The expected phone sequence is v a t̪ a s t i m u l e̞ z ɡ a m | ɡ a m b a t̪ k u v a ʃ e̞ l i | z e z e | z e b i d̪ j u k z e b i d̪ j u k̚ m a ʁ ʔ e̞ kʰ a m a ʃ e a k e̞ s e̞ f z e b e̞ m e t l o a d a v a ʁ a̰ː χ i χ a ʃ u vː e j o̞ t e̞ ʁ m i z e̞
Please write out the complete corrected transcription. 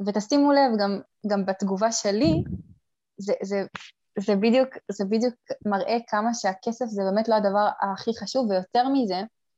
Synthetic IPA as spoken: v e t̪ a s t i m u l e̞ v ɡ a m | ɡ a m b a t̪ ɡ u v a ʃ e̞ l i | z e z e | z e b i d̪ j u k z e b i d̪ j u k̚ m a ʁ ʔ e̞ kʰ a m a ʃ e a k e̞ s e̞ f z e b e̞ m e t l o a d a v a ʁ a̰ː χ i χ a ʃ u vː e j o̞ t e̞ ʁ m i z e̞